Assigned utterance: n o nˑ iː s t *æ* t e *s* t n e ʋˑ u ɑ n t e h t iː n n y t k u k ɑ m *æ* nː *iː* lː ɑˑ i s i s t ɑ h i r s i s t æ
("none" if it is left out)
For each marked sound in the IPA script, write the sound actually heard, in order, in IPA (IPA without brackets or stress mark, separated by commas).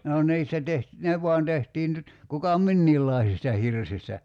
æ, h, i, iː